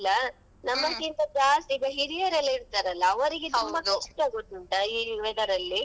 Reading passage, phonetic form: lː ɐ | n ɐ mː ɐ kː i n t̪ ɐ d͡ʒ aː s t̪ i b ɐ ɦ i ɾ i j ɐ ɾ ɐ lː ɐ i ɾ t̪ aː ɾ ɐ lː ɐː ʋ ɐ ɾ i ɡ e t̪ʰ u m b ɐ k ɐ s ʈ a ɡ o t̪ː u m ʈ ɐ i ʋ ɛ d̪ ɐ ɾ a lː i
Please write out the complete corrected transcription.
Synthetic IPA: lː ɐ | n ɐ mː ɐ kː i n t̪ ɐ d͡ʒ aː s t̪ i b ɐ ɦ i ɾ i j ɐ ɾ ɐ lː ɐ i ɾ t̪ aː ɾ ɐ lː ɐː ʋ ɐ ɾ i ɡ e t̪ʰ u m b ɐ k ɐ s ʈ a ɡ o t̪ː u ɳ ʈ ɐ i ʋ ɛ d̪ ɐ ɾ ɐ lː i